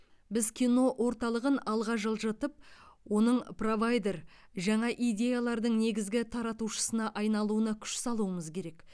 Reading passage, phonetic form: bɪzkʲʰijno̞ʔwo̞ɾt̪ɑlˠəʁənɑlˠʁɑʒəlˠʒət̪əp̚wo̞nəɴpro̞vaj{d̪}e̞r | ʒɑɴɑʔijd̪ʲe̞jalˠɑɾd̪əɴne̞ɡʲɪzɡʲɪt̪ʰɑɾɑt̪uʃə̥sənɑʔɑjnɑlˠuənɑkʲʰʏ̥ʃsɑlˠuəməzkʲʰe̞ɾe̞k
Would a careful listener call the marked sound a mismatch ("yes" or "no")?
no